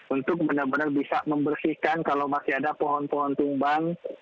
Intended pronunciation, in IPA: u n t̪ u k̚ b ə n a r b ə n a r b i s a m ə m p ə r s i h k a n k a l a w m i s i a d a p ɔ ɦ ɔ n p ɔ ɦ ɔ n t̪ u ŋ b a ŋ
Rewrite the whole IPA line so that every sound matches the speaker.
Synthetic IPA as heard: u n t̪ ʊ k̚ b ə n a r b ə n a r b i s a m ə m b ə r s i h k a n k a l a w m a s i a d a p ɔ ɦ ɔ n p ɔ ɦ ɔ n t̪ u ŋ b a ŋ